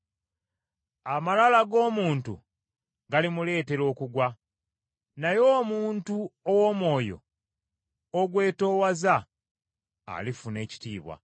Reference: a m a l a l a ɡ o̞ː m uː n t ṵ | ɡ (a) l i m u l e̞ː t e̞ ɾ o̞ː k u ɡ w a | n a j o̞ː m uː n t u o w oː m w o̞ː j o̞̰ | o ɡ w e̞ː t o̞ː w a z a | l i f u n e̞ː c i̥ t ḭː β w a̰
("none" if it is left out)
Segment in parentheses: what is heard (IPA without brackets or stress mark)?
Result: a